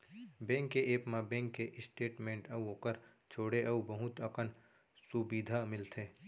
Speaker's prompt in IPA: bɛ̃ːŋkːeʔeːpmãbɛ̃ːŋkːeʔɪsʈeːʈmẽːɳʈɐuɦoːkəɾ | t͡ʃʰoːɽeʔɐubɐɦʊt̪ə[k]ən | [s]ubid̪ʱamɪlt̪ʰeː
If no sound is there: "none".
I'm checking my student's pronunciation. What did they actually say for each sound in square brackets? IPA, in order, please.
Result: k, s

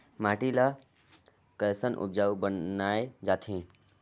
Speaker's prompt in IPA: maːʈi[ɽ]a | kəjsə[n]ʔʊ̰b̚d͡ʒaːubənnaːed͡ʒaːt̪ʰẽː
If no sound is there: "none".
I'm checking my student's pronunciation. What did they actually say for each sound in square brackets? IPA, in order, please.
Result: l, n

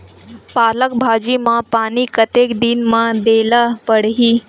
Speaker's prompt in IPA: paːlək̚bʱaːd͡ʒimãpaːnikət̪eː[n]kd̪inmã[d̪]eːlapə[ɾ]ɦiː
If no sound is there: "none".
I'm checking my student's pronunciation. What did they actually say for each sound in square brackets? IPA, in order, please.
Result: none, d̪, ɽ

